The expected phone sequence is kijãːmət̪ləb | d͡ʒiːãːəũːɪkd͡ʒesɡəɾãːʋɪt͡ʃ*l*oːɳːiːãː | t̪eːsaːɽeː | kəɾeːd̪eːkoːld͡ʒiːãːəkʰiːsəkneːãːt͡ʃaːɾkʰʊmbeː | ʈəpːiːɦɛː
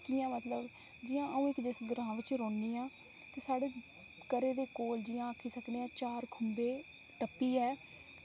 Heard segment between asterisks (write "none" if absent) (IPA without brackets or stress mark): ɾ